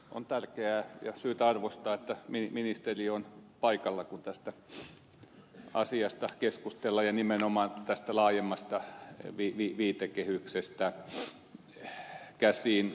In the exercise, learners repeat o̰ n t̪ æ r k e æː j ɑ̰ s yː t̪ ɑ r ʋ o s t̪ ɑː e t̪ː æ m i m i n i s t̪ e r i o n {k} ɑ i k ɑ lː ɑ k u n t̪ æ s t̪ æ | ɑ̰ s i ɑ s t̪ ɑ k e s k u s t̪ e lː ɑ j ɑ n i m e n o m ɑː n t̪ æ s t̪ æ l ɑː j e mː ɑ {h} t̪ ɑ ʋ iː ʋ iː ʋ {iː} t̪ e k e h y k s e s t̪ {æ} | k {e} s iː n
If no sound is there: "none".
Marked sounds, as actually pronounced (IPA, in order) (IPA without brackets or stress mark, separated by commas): p, s, iː, æ, æ